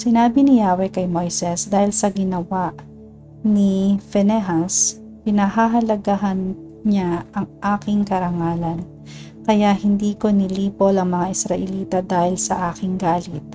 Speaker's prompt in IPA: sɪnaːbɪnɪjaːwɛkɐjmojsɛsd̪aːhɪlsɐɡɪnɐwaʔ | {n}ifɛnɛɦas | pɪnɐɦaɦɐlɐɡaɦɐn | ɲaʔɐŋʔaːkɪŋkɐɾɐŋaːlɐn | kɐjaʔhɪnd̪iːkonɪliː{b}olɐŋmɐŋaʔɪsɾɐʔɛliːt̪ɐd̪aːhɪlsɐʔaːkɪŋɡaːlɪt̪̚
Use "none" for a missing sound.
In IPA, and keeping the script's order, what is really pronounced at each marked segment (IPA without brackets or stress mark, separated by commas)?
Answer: n, p